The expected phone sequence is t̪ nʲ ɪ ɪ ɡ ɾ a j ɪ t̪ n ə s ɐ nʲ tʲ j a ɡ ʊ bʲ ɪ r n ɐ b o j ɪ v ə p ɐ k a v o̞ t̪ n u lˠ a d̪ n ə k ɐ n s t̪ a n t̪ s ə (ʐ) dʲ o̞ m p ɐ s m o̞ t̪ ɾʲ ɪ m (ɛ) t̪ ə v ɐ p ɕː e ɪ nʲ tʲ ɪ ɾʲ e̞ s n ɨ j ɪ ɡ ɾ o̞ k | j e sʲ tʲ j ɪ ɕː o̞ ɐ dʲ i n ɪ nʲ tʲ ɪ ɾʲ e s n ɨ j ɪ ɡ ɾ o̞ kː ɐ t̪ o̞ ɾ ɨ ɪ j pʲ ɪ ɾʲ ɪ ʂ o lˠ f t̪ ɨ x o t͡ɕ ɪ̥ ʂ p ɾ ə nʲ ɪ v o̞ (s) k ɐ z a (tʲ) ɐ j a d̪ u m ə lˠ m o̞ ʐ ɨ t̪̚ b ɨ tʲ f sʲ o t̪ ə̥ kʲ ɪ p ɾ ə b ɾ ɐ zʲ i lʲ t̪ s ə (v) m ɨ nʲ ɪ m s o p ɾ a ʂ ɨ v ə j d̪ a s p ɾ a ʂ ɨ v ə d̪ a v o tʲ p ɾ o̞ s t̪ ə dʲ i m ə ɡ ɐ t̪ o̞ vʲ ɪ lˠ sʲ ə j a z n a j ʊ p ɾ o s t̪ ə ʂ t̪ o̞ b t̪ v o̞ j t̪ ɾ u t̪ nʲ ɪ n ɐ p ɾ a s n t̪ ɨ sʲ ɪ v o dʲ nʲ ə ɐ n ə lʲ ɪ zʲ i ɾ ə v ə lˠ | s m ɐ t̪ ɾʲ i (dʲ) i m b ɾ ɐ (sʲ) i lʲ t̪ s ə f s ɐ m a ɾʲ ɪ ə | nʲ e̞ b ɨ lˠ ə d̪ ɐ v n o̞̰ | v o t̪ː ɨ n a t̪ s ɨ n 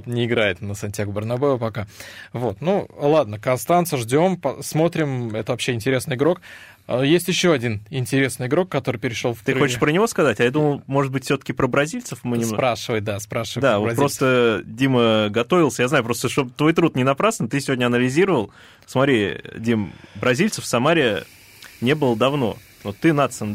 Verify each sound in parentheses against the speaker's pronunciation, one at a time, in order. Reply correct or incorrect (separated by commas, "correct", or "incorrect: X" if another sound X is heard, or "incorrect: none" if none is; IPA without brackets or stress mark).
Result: correct, correct, correct, correct, incorrect: f, correct, incorrect: zʲ